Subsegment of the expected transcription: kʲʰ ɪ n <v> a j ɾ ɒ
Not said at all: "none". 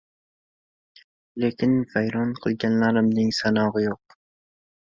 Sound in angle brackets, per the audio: v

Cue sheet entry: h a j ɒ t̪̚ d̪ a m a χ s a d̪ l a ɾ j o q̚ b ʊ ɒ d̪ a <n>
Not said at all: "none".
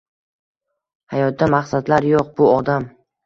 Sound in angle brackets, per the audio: m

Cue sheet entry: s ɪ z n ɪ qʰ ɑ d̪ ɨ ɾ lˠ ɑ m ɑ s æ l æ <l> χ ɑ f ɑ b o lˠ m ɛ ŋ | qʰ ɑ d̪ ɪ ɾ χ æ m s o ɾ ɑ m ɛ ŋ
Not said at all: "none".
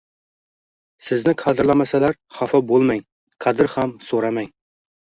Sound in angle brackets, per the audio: ɾ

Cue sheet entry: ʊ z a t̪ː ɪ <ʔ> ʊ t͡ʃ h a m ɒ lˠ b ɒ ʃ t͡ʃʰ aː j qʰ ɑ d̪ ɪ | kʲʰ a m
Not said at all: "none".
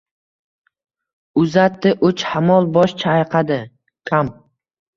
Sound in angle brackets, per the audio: ʔ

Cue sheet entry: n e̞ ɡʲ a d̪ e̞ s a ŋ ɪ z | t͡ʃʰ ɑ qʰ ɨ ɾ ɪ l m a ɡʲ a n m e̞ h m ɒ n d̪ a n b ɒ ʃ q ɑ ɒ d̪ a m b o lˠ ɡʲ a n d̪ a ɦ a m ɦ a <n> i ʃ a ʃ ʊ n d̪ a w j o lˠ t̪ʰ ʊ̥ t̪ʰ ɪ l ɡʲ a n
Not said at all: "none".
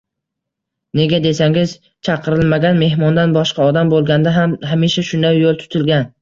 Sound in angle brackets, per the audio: m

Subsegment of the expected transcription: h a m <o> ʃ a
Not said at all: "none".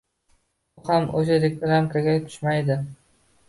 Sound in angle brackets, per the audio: o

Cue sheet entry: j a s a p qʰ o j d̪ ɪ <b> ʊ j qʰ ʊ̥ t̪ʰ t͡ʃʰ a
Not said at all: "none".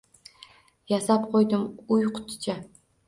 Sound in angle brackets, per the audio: m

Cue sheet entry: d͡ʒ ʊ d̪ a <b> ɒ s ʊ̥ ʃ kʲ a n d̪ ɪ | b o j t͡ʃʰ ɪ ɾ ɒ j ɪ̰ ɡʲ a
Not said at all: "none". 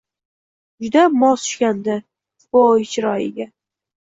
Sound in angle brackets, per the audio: m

